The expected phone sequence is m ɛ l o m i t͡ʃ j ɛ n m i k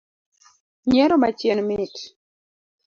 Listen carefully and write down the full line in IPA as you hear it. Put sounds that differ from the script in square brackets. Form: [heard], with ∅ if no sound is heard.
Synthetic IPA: [ɲ] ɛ [ɾ] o m [a] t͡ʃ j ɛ n m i [t]